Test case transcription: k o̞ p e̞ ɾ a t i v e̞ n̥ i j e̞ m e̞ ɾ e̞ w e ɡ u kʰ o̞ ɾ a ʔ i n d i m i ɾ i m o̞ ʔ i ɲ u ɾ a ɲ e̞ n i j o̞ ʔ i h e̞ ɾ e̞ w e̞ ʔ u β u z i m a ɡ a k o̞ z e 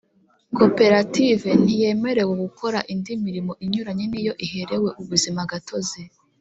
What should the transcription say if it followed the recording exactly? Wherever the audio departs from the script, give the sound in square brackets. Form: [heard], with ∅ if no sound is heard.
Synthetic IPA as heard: k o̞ p e̞ ɾ a t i v e̞ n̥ i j e̞ m e̞ ɾ e̞ w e ɡ u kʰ o̞ ɾ a ʔ i n d i m i ɾ i m o̞ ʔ i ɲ u ɾ a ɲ e̞ n i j o̞ ʔ i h e̞ ɾ e̞ w e̞ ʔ u β u z i m a ɡ a [t] o̞ z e